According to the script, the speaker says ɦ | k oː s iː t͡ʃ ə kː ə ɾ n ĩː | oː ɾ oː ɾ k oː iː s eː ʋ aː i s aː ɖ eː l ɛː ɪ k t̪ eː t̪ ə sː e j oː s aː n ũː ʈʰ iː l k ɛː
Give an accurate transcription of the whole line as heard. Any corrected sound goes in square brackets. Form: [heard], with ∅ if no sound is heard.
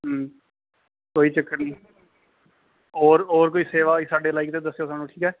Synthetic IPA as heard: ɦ | k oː [∅] iː t͡ʃ ə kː ə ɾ n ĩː | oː ɾ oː ɾ k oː iː s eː ʋ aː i s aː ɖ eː l [aː] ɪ k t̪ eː [d̪] ə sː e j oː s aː n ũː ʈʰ iː [∅] k ɛː

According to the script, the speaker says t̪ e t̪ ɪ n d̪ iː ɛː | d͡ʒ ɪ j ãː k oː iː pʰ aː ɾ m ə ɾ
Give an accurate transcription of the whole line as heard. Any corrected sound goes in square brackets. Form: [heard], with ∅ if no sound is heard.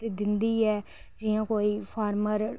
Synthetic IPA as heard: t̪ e [d̪] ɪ n d̪ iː ɛː | d͡ʒ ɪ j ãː k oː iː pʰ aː ɾ m ə ɾ

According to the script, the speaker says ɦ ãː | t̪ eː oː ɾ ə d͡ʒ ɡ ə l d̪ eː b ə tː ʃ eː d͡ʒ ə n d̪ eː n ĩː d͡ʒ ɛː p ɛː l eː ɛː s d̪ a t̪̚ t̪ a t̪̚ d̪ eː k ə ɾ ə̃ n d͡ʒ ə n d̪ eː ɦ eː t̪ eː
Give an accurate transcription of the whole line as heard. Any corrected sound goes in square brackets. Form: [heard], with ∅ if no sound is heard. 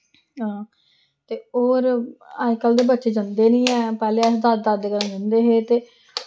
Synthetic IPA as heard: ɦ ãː | t̪ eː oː ɾ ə d͡ʒ [k] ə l d̪ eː b ə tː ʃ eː d͡ʒ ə n d̪ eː n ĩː [∅] ɛː p ɛː l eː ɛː s d̪ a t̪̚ [d̪] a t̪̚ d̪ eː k ə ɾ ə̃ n d͡ʒ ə n d̪ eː ɦ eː t̪ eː

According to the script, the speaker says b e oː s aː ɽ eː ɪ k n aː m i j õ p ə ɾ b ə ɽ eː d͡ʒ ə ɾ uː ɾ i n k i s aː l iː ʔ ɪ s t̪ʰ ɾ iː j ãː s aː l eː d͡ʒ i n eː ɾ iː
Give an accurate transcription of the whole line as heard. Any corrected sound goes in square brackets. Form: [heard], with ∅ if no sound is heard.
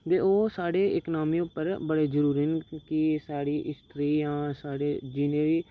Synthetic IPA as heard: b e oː s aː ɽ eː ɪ k n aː m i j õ p ə ɾ b ə ɽ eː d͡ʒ ə ɾ uː ɾ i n k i s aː [ɽ] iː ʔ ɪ s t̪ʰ ɾ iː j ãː s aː [ɽ] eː d͡ʒ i n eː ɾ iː

